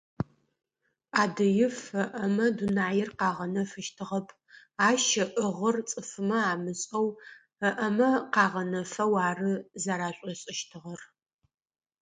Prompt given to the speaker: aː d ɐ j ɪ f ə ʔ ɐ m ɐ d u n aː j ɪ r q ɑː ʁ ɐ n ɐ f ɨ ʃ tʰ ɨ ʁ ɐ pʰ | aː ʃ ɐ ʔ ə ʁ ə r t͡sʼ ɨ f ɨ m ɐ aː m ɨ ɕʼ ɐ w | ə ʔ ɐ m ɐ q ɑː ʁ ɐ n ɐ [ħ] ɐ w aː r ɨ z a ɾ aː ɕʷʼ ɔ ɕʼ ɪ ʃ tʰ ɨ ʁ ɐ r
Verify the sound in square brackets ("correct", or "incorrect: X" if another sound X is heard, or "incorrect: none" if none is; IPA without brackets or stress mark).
incorrect: f